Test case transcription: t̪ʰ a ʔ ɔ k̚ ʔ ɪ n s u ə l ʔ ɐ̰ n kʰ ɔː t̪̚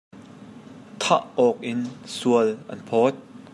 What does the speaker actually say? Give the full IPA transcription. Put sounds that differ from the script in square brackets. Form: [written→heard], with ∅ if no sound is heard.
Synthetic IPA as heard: t̪ʰ a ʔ ɔ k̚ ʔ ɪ n s u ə l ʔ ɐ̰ n [kʰ→pʰ] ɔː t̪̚